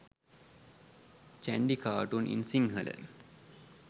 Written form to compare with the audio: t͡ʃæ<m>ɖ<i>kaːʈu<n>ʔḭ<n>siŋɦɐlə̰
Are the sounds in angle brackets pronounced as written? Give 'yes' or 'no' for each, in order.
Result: no, yes, yes, yes

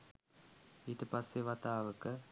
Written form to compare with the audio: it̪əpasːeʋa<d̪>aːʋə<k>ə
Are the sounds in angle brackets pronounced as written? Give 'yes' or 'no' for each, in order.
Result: no, yes

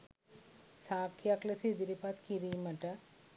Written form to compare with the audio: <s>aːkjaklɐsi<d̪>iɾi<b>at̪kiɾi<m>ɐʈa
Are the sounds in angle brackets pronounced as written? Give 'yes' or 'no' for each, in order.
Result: yes, yes, no, yes

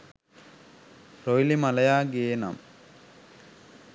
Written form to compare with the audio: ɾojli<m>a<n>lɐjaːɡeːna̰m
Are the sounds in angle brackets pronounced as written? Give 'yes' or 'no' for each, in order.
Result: yes, no

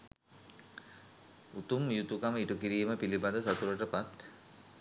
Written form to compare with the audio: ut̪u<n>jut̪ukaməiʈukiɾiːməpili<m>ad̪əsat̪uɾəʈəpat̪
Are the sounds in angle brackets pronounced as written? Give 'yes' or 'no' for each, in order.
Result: no, no

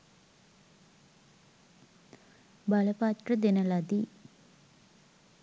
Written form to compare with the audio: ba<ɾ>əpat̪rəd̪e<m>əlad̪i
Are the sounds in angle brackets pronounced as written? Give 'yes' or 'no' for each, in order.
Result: no, no

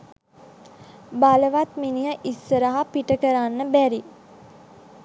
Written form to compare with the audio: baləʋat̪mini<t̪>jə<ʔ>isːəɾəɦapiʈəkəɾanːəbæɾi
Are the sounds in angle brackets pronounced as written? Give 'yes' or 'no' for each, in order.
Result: no, yes

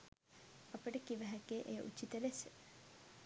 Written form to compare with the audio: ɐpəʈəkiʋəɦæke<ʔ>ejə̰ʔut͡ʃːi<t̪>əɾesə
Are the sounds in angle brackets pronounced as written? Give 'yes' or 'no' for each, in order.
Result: yes, yes

